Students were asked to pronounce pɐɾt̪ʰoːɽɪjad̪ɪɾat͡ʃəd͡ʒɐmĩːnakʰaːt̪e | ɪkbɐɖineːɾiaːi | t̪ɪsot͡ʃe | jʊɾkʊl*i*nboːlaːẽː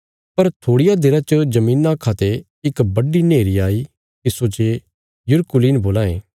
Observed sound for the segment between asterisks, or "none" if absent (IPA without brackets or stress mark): iː